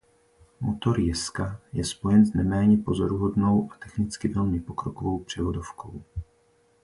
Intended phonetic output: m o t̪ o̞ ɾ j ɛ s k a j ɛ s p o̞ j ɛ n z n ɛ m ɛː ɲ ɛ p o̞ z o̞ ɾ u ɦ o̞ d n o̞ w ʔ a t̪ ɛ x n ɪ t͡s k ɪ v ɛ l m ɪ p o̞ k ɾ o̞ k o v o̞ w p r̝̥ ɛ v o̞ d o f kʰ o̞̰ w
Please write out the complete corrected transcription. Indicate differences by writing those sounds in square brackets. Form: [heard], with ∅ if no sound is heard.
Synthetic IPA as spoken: m o t̪ o̞ ɾ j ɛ s k a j ɛ s p o̞ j ɛ n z n ɛ m ɛː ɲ ɛ p o̞ z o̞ ɾ u ɦ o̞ d n o̞ w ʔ a t̪ ɛ x n ɪ t͡s k ɪ v ɛ l m ɪ p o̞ k ɾ o̞ k o v o̞ w p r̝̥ ɛ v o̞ d o f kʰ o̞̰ w